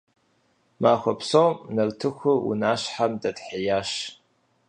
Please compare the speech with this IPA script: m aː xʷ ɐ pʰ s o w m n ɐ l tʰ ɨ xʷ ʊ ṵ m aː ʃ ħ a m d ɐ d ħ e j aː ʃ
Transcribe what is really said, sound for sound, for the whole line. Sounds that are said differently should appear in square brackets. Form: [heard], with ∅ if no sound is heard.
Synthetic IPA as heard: m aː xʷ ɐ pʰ s o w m n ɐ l tʰ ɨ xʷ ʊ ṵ [n] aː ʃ ħ a m d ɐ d ħ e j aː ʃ